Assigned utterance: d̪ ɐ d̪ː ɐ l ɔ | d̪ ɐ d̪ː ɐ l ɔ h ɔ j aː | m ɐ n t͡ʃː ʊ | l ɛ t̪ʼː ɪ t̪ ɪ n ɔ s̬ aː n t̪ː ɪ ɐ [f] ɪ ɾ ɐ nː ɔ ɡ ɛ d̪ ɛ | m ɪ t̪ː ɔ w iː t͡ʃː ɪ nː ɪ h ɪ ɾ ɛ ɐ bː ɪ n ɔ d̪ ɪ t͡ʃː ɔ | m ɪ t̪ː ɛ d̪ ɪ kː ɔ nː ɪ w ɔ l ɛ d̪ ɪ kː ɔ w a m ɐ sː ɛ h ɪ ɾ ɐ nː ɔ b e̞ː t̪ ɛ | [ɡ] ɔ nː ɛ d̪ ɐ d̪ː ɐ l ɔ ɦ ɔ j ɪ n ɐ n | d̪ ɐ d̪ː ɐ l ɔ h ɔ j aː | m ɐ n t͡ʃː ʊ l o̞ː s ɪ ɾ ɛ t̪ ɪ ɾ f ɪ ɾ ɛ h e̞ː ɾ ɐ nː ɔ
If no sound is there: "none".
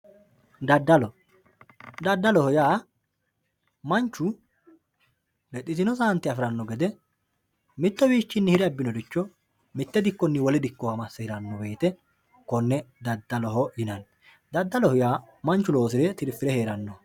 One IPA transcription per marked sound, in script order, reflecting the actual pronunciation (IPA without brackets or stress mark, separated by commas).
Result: f, k